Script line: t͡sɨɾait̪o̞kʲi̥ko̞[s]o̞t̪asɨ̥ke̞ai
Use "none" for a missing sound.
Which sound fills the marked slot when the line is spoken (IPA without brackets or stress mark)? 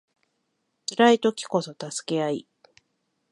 s